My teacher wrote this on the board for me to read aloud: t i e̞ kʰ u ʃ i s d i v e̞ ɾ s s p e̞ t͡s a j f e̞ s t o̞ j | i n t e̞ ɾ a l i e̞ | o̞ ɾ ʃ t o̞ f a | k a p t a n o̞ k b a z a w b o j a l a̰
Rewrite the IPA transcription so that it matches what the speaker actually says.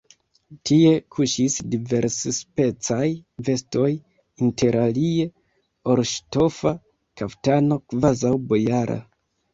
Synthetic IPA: t i e̞ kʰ u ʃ i s d i v e̞ ɾ s s p e̞ t͡s a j v e̞ s t o̞ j | i n t e̞ ɾ a l i e̞ | o̞ ɾ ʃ t o̞ f a | k a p t a n o̞ k v a z a w b o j a ɾ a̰